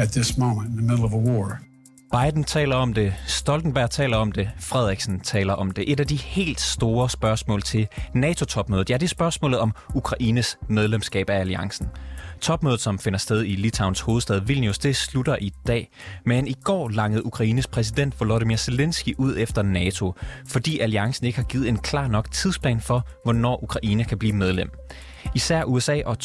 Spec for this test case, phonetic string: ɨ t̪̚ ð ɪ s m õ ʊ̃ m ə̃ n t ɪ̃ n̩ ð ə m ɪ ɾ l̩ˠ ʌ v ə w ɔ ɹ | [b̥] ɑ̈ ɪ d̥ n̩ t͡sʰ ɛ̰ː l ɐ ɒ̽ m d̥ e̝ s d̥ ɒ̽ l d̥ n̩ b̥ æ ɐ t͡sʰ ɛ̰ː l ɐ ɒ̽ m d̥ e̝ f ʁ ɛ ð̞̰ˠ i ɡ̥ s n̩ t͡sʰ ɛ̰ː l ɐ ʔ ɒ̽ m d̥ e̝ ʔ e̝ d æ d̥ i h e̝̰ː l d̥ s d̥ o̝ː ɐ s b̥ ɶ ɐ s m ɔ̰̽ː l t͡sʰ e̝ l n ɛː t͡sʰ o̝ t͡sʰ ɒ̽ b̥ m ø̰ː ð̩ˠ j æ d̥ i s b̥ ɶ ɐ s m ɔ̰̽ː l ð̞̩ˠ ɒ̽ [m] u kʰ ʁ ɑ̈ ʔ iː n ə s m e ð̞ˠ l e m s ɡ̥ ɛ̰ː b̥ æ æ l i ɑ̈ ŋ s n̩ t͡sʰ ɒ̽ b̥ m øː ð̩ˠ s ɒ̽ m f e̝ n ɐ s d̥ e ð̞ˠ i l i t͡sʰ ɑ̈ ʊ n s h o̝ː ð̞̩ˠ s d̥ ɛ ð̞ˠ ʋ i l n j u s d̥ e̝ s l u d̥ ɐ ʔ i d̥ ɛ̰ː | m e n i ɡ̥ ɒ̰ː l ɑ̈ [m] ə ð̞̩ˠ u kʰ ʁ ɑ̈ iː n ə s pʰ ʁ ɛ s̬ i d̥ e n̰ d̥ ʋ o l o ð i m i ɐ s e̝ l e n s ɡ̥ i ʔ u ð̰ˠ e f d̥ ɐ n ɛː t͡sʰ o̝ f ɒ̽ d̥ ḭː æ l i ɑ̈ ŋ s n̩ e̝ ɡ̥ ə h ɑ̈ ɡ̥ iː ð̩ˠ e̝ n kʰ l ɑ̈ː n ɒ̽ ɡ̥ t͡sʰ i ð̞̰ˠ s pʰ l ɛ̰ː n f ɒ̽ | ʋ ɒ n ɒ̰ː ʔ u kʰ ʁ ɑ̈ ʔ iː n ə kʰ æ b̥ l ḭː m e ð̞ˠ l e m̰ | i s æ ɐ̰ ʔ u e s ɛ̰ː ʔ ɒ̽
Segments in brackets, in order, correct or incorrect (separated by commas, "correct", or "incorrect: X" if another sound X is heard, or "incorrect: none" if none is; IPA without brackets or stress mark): correct, correct, incorrect: ŋ